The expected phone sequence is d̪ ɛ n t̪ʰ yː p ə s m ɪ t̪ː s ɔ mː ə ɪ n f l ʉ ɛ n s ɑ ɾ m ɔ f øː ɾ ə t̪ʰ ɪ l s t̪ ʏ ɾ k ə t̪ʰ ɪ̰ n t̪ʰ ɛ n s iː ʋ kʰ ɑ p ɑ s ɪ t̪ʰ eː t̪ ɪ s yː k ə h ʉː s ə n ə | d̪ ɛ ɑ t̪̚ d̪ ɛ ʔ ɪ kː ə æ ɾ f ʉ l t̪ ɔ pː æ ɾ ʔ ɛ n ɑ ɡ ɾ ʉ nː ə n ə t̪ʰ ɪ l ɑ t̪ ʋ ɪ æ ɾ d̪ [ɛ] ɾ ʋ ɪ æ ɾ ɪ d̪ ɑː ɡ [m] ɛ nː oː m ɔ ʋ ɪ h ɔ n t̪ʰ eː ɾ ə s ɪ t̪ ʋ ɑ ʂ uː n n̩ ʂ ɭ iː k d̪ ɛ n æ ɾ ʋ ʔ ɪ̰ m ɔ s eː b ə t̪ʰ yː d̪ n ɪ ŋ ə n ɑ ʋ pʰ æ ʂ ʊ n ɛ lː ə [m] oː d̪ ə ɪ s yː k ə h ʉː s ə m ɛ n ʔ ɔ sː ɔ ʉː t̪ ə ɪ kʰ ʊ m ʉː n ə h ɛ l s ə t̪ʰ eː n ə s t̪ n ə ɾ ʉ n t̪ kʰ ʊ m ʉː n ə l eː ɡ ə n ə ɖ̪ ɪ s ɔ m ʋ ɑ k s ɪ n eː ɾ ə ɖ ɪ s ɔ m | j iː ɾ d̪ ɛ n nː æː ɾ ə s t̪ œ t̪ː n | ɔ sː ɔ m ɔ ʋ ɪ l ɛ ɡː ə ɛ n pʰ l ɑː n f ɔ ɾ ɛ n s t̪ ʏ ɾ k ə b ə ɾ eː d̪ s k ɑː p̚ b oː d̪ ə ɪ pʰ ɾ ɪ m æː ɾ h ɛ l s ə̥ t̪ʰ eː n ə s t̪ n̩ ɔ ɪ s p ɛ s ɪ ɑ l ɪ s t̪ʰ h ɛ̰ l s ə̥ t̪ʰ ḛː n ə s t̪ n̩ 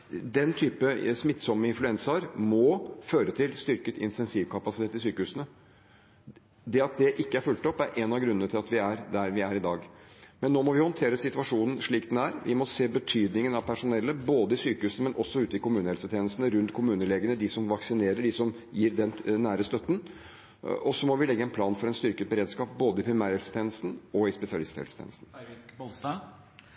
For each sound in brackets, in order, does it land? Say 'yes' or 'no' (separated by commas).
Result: no, yes, no